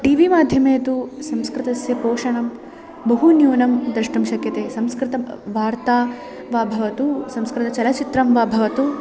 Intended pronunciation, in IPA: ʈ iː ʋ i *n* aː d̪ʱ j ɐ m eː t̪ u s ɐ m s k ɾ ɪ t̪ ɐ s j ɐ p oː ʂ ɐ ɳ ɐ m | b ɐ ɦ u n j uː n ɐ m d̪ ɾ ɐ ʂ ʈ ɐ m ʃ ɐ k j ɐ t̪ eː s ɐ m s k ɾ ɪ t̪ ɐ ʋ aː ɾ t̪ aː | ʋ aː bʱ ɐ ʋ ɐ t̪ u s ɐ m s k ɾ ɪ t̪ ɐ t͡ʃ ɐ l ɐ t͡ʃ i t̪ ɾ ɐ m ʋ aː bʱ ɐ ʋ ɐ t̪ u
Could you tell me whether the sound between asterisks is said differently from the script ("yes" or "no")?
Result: yes